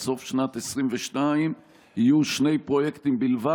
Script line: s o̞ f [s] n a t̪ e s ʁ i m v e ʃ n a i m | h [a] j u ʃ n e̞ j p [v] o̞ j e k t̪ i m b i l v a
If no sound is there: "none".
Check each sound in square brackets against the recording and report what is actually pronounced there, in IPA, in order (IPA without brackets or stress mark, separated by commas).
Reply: ʃ, i, ʁ